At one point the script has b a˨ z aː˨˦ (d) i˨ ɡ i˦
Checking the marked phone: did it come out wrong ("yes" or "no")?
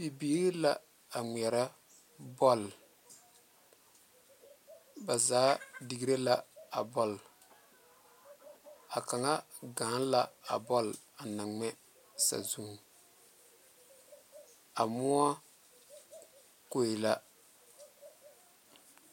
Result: no